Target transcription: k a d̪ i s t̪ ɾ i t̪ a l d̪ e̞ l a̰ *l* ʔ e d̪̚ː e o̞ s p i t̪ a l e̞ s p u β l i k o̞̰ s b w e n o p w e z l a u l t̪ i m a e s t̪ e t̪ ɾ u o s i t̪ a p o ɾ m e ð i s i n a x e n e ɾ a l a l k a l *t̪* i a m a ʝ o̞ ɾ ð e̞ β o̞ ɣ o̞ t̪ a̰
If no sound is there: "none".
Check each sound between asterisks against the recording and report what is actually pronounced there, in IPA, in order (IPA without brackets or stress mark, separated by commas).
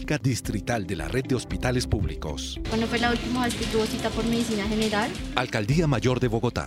r, d̪